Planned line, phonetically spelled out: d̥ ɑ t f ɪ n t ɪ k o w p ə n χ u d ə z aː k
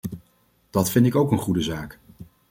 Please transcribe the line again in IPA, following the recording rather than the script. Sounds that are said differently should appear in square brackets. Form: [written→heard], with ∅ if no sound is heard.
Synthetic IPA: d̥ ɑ t f ɪ n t ɪ k o w [p→k] ə n χ u d ə z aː k